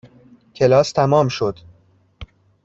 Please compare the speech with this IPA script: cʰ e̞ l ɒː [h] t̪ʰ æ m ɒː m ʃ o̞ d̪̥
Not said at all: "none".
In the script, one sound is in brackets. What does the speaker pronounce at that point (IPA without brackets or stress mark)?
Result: s